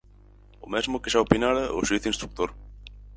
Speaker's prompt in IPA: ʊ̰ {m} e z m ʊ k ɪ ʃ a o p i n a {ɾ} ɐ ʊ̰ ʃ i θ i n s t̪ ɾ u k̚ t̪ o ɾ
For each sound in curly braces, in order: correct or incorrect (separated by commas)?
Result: correct, correct